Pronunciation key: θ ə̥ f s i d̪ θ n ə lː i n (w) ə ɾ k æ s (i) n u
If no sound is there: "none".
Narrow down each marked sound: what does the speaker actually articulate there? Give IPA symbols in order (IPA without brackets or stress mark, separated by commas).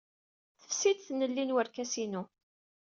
w, i